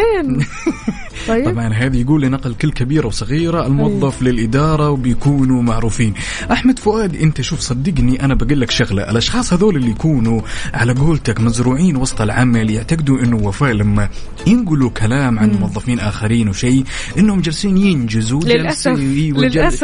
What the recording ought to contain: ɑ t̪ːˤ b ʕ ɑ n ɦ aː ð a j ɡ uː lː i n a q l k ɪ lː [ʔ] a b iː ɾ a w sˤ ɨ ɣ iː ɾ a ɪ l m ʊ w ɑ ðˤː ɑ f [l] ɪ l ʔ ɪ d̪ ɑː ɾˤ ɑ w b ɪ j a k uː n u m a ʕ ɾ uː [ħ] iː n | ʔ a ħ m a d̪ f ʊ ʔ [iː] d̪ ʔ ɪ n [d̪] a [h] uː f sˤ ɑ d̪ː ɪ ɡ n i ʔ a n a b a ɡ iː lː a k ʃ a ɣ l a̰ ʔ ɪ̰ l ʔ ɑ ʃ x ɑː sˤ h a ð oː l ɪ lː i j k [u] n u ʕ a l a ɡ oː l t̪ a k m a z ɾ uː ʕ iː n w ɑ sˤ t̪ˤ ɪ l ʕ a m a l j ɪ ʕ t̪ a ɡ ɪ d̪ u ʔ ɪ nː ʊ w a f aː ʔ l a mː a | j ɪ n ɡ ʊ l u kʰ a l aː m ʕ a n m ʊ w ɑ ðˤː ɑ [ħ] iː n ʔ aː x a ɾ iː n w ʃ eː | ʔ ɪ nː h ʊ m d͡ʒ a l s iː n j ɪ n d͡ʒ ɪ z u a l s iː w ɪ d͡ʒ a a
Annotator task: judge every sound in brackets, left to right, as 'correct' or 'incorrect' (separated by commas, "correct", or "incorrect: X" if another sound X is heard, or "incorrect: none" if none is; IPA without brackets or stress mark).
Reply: incorrect: k, correct, incorrect: f, incorrect: aː, incorrect: t̪, incorrect: ʃ, incorrect: uː, incorrect: f